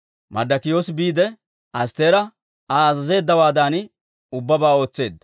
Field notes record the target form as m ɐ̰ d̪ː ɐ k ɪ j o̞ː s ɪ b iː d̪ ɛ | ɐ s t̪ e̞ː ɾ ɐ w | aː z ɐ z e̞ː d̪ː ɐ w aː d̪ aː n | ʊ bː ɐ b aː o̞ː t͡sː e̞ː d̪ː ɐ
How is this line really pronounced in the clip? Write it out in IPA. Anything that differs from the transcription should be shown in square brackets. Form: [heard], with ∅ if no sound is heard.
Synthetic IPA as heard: m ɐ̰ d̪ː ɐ k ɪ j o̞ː s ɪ b iː d̪ ɛ | ɐ s t̪ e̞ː ɾ ɐ [∅] | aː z ɐ z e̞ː d̪ː ɐ w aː d̪ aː n | ʊ bː ɐ b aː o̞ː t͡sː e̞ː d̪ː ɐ